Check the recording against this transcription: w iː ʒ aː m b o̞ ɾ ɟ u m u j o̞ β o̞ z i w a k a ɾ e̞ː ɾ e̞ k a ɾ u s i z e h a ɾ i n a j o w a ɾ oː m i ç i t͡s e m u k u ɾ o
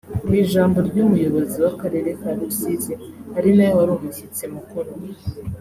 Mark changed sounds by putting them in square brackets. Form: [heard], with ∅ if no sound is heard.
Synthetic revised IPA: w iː ʒ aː m b o̞ ɾ ɟ u m u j o̞ β o̞ z i w a k a ɾ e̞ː ɾ e̞ k a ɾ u s i z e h a ɾ i n a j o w a ɾ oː m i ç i t͡s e m u k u ɾ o